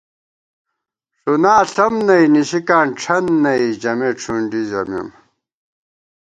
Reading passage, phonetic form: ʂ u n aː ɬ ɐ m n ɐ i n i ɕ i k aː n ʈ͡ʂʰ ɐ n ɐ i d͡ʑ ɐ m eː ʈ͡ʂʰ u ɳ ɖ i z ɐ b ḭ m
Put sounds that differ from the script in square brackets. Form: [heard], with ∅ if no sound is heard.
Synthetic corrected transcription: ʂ u n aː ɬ ɐ m n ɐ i n i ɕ i k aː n ʈ͡ʂʰ ɐ [nː] ɐ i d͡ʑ ɐ m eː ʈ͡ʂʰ u ɳ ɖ i z ɐ [m] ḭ m